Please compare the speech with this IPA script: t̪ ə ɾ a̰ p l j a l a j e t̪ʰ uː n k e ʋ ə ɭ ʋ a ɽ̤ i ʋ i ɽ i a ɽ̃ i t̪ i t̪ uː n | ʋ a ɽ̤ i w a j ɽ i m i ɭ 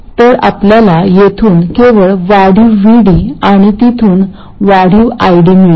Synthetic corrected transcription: t̪ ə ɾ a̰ p l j a l a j e t̪ʰ uː n k e ʋ ə ɭ ʋ a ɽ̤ i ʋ i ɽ i a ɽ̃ i t̪ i t̪ʰ uː n | ʋ a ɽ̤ i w a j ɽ i m i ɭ